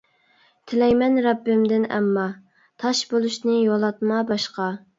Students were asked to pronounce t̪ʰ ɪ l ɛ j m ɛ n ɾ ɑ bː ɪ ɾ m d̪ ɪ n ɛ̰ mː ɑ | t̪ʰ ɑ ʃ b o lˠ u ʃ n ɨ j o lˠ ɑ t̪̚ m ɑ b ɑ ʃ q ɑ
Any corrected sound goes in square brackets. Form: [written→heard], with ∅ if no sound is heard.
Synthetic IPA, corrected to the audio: t̪ʰ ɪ l ɛ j m ɛ n ɾ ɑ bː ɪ [ɾ→∅] m d̪ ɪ n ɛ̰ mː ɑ | t̪ʰ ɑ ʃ b o lˠ u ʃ n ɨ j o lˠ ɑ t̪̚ m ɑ b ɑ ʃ q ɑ